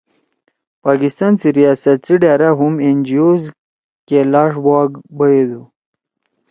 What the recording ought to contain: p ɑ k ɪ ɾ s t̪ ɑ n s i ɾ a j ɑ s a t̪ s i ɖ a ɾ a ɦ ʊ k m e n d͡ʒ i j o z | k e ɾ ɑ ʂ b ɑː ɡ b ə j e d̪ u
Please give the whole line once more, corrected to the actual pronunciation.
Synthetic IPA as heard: p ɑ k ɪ s t̪ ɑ n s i ɾ i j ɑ s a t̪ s i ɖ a ɾ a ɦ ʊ m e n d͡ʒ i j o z | k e l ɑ ʂ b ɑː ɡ b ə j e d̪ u